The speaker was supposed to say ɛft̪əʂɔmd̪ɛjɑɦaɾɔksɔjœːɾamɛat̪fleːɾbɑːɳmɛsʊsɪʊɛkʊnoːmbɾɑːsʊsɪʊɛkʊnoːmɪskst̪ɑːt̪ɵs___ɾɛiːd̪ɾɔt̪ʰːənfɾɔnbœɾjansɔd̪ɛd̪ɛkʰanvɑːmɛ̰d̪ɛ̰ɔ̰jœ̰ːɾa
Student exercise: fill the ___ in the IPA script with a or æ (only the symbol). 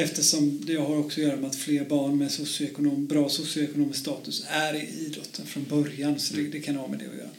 æ